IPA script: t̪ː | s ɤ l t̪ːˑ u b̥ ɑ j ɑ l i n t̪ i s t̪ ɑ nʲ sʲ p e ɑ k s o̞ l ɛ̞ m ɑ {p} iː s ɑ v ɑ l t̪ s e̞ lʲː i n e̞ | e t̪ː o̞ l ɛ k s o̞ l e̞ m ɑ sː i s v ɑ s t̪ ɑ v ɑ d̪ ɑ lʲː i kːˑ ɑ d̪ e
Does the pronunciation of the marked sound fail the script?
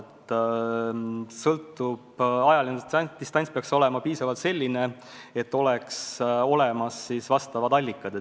no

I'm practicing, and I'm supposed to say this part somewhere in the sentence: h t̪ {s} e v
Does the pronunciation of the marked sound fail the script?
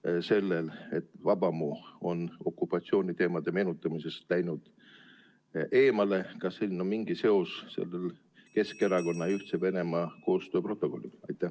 no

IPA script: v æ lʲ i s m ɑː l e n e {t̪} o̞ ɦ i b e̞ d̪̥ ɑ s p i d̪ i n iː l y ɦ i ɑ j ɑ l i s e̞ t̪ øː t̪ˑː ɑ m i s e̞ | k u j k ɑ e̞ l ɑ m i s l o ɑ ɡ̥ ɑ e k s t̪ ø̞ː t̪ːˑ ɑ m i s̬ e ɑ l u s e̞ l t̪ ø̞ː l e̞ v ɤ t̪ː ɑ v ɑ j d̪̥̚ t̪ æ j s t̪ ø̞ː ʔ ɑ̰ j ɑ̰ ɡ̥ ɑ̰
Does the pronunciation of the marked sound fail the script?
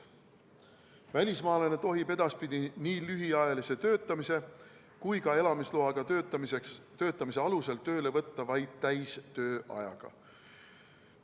no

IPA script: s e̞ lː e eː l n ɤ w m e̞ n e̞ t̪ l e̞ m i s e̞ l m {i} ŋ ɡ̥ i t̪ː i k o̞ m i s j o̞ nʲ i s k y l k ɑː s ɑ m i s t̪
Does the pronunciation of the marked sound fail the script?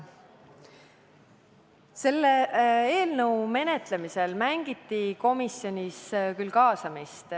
yes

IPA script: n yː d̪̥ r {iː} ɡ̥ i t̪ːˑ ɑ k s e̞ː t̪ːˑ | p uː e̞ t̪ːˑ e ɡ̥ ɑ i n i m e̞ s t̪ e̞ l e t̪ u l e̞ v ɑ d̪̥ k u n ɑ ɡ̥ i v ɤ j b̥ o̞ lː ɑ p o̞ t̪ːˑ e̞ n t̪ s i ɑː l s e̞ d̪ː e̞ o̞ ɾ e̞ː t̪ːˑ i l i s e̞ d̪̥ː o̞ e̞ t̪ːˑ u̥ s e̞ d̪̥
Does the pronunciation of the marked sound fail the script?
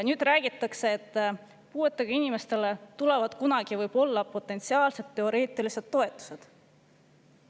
yes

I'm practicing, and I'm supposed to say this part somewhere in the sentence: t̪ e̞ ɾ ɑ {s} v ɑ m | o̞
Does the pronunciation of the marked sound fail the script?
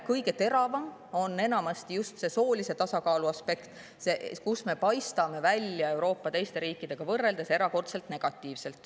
yes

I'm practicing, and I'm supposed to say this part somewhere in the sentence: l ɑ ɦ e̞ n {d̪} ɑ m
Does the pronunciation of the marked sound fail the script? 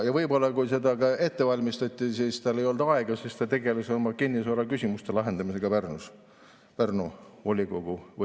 no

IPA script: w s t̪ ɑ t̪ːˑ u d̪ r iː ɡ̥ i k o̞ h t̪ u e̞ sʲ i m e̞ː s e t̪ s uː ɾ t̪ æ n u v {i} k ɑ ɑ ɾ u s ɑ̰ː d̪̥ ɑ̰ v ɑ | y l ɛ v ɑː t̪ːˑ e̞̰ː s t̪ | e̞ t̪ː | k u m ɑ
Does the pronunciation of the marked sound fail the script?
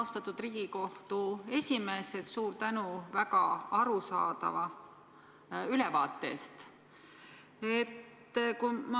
yes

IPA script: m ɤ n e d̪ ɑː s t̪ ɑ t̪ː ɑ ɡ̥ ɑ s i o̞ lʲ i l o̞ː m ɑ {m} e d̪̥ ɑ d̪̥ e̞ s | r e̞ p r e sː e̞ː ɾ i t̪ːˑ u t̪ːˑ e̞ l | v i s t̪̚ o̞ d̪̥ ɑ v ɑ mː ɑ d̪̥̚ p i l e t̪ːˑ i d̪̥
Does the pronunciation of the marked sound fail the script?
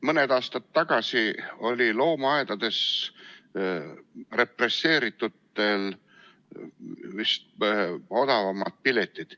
yes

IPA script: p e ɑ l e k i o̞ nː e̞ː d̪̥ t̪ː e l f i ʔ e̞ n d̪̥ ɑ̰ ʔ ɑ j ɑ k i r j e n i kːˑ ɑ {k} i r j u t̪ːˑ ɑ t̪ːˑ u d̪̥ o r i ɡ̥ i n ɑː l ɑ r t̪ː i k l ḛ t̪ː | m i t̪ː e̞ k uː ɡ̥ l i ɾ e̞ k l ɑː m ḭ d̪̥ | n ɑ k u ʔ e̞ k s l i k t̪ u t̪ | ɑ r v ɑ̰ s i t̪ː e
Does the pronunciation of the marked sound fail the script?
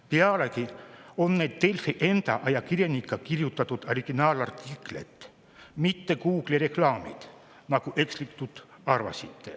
no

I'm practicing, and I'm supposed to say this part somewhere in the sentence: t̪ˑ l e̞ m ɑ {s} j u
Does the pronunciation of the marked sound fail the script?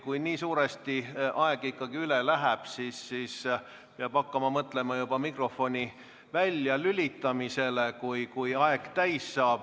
yes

